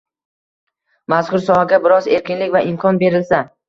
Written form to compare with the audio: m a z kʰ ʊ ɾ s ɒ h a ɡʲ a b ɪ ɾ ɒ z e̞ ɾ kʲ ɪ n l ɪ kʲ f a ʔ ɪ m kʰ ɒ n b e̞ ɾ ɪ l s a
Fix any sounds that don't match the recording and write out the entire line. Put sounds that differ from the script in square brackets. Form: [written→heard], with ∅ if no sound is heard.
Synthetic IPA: m a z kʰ ʊ ɾ s ɒ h a ɡʲ a b ɪ ɾ ɒ z e̞ ɾ kʲ ɪ n l ɪ kʲ [f→v] a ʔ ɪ m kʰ ɒ n b e̞ ɾ ɪ l s a